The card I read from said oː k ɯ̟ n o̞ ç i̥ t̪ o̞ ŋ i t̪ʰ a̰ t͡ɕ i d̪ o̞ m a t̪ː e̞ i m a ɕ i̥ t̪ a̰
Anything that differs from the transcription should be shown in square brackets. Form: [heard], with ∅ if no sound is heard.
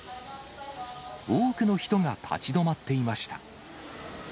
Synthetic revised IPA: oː k ɯ̟ n o̞ ç i̥ t̪ o̞ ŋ [a] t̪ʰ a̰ t͡ɕ i d̪ o̞ m a t̪ː e̞ i m a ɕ i̥ t̪ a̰